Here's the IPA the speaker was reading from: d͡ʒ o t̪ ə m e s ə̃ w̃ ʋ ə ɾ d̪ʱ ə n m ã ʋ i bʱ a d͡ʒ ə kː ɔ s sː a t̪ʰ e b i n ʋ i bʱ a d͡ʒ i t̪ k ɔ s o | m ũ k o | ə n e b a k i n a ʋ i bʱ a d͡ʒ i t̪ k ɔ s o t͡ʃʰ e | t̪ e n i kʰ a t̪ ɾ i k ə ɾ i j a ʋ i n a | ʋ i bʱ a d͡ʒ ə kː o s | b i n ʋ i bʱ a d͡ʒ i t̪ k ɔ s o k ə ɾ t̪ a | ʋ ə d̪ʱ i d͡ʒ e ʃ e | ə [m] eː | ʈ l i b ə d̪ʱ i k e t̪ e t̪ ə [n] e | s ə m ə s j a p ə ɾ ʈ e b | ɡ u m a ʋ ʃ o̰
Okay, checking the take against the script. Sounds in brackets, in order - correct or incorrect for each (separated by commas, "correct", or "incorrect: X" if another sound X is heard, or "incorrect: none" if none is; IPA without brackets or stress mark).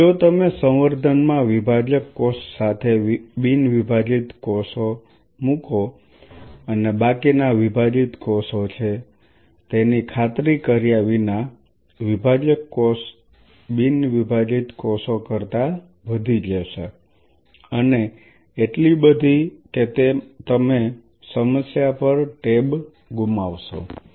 incorrect: n, incorrect: m